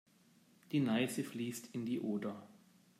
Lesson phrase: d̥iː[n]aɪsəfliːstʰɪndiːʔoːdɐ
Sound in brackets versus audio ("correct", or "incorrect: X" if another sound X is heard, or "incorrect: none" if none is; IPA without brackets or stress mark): correct